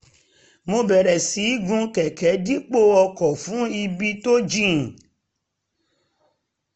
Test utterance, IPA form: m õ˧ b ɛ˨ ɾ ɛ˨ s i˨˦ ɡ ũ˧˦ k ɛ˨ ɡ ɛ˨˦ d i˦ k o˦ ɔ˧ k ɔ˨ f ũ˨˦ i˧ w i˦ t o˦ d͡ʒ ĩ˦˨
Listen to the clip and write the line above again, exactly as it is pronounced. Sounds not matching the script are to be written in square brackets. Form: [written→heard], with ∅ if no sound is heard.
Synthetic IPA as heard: m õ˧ b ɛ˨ ɾ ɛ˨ s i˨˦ ɡ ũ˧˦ k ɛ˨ [ɡ→k] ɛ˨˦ d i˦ [k→k͡p] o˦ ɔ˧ k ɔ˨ f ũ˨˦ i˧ [w→b] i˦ t o˦ d͡ʒ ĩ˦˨